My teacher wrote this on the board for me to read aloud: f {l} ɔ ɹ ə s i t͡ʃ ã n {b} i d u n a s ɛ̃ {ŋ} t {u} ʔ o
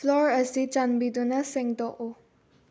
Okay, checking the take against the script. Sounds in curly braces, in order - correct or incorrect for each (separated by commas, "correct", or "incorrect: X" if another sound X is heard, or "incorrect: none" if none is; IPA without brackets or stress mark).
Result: correct, correct, correct, incorrect: ɔ